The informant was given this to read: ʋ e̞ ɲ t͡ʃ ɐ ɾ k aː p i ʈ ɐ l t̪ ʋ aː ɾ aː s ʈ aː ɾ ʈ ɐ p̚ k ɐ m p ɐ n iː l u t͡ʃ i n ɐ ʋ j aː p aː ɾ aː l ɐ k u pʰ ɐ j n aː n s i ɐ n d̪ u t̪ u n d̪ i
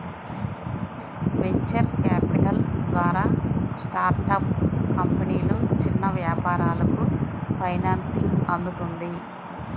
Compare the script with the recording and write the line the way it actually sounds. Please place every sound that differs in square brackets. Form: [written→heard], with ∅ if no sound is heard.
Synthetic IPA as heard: ʋ e̞ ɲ t͡ʃ ɐ ɾ k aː p i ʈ ɐ l [t̪→d̪] ʋ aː ɾ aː s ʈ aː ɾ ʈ ɐ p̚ k ɐ m p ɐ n iː l u t͡ʃ i [n→nː] ɐ ʋ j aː p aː ɾ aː l ɐ k u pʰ ɐ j n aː n s i ɐ n d̪ u t̪ u n d̪ i